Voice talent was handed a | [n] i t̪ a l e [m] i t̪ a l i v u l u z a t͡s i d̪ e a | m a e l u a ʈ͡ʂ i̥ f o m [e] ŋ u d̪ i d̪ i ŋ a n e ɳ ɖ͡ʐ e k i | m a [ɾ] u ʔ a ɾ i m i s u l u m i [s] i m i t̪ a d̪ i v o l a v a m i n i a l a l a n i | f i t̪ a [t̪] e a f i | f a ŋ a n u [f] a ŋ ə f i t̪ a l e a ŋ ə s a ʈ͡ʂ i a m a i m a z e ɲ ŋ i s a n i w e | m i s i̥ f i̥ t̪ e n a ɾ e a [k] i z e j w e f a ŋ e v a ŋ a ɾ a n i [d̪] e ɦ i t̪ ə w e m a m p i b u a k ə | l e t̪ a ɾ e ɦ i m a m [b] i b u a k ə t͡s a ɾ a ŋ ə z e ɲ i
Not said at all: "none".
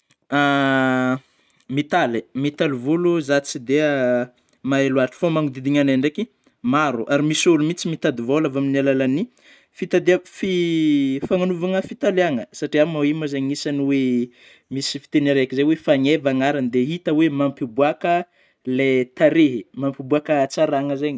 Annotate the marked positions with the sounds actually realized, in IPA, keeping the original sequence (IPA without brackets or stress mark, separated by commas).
m, m, a, ɾ, t͡s, d̪, v, k, d̪, p